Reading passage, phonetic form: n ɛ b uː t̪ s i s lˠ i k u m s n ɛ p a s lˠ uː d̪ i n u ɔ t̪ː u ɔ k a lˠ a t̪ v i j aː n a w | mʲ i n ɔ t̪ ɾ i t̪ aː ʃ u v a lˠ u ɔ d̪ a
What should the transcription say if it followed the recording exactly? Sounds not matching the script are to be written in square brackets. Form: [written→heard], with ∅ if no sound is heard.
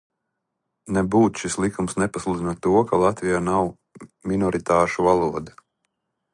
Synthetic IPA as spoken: n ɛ b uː t̪ [s→ʃ] i s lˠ i k u m s n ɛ p a s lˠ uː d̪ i n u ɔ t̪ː u ɔ k a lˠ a t̪ v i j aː n a w | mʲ i n ɔ [t̪→∅] ɾ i t̪ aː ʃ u v a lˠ u ɔ d̪ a

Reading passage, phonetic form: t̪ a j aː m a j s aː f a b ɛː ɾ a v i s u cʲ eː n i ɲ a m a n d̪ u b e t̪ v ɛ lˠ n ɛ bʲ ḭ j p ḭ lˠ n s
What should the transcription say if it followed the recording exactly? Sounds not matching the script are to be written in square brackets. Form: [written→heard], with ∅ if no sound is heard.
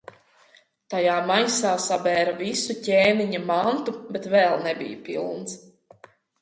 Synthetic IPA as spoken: t̪ a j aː m a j s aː [f→s] a b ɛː ɾ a v i s u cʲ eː n i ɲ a m a n [d̪→t̪] u b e t̪ v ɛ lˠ n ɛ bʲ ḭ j p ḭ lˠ n s

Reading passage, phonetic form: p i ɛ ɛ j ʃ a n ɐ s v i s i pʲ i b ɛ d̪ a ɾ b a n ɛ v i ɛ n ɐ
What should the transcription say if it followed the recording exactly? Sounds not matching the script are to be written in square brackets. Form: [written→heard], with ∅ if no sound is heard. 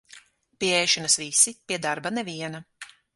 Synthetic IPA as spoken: p i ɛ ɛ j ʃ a n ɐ s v i s i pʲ i [b→∅] ɛ d̪ a ɾ b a n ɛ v i ɛ n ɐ

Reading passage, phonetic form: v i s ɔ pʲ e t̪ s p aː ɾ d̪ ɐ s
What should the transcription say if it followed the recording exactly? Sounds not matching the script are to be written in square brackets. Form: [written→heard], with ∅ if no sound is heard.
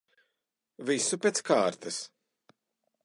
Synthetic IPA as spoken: v i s [ɔ→u] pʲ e t̪ s [p→k] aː ɾ [d̪→t̪] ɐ s

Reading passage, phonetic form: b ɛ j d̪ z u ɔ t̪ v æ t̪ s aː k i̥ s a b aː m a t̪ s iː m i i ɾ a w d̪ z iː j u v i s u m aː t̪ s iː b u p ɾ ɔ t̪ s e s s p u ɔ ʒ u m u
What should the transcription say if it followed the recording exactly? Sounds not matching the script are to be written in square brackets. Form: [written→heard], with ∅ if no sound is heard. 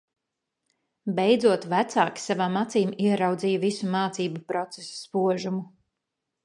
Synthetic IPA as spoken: b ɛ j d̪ z u ɔ t̪ v æ t̪ s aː k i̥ s a [b→v] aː m a t̪ s iː m i [i→ɛ] ɾ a w d̪ z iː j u v i s u m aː t̪ s iː b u p ɾ ɔ t̪ s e s s p u ɔ ʒ u m u

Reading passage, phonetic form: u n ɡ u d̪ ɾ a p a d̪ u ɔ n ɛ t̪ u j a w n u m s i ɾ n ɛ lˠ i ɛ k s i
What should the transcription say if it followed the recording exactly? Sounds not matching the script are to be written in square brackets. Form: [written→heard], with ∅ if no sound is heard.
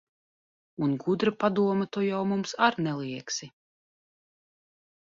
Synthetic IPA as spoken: u n ɡ u d̪ ɾ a p a d̪ u ɔ [n→m] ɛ t̪ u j a w [n→m] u m s [i→a] ɾ n ɛ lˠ i ɛ k s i

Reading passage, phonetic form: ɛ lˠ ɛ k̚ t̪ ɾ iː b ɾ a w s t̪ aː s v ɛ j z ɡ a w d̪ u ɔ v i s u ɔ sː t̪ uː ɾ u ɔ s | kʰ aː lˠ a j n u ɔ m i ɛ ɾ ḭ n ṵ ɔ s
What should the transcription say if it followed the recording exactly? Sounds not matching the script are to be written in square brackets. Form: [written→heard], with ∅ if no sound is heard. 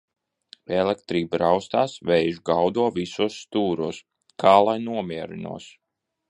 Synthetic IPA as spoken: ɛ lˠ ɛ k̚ t̪ ɾ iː b ɾ a w s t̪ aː s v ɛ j [z→ʒ] ɡ a w d̪ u ɔ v i s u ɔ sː t̪ uː ɾ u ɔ s | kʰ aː lˠ a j n u ɔ m i ɛ ɾ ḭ n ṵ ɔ s

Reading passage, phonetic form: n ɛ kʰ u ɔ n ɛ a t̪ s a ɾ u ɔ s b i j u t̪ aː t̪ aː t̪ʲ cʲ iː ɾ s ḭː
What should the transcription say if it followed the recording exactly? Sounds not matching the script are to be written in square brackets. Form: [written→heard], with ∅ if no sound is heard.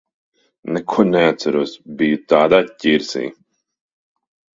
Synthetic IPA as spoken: n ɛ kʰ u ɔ n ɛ a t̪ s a ɾ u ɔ s b i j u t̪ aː [t̪→d̪] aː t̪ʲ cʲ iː ɾ s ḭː

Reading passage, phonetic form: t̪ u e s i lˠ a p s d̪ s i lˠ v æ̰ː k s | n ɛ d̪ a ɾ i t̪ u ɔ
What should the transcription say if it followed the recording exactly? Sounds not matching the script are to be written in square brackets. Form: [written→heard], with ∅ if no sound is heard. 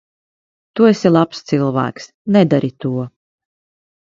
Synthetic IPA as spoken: t̪ u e s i lˠ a p s [d̪→t̪] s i lˠ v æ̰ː k s | n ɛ d̪ a ɾ i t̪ u ɔ

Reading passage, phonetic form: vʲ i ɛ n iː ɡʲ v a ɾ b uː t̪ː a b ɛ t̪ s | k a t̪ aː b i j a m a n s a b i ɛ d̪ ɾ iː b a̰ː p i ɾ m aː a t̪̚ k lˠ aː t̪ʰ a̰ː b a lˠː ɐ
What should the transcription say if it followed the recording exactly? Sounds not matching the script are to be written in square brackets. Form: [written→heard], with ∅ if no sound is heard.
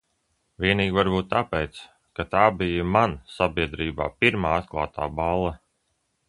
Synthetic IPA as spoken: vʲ i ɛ n iː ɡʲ v a ɾ b uː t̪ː a [b→p] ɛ t̪ s | k a t̪ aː b i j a m a n s a b i ɛ d̪ ɾ iː b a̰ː p i ɾ m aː a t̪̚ k lˠ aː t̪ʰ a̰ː b a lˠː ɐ

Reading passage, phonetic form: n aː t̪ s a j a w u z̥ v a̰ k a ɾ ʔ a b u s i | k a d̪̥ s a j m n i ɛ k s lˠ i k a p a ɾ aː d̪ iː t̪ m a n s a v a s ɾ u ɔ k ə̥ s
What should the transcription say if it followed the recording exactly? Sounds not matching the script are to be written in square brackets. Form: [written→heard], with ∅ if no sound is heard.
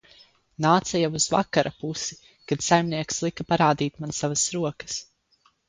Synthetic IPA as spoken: n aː t̪ s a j a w u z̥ v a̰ k a ɾ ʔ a [b→p] u s i | k a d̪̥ s a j m n i ɛ k s lˠ i k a p a ɾ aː d̪ iː t̪ m a n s a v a s ɾ u ɔ k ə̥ s

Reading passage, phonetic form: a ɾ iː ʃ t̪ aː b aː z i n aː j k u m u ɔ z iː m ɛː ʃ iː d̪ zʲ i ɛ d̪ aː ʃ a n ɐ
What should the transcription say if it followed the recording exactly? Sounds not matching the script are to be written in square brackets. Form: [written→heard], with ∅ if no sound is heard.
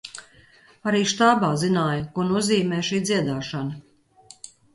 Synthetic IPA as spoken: a ɾ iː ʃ t̪ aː b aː z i n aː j k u [m→n] u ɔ z iː m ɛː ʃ iː d̪ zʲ i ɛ d̪ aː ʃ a n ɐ

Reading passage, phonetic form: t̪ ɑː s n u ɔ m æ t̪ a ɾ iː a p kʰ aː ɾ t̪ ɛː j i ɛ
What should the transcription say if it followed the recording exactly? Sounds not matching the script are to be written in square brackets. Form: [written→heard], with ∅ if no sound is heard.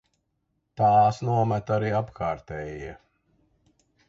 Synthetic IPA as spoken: t̪ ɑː s n u ɔ m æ t̪ a ɾ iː a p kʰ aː ɾ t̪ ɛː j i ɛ

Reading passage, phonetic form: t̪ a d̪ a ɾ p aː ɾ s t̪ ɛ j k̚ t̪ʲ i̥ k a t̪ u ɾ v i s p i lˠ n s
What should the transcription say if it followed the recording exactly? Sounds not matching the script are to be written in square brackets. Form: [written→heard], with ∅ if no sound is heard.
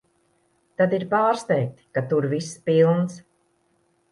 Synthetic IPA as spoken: t̪ a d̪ [a→i] ɾ p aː ɾ s t̪ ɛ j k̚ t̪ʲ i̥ k a t̪ u ɾ v i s p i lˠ n s

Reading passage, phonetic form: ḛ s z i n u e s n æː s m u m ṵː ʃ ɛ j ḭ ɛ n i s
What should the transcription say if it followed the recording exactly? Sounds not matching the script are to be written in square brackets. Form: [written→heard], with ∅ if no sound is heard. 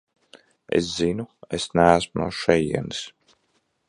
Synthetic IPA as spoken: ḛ s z i n u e s n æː s m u [m→n] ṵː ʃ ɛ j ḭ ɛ n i s

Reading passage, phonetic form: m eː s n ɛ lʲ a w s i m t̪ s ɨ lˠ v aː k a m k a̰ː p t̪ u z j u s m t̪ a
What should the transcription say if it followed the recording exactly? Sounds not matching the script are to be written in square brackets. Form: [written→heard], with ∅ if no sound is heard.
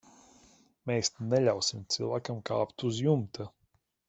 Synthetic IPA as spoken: m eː s n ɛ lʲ a w s i m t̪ s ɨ lˠ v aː k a m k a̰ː p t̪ u z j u [s→∅] m t̪ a

